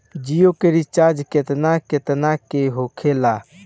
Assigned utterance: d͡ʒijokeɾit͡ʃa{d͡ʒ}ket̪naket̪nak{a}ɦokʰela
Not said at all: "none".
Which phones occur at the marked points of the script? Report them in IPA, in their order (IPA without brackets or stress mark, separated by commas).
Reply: d͡ʒ, e